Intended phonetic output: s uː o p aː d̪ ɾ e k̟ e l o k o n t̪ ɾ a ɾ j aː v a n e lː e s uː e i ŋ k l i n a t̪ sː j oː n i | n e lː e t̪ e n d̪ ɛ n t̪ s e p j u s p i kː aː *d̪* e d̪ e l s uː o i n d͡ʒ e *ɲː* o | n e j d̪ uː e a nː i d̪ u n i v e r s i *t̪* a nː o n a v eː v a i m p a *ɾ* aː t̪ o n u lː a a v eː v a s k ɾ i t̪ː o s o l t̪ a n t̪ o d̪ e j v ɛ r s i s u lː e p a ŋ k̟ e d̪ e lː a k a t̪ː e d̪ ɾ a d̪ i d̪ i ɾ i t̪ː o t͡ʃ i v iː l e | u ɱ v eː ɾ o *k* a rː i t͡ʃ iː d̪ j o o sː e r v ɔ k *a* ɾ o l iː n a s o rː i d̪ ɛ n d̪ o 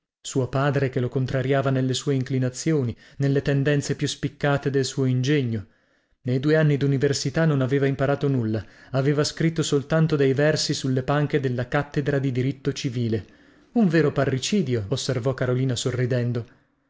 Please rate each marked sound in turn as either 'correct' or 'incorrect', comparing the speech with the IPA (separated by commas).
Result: incorrect, correct, correct, correct, incorrect, correct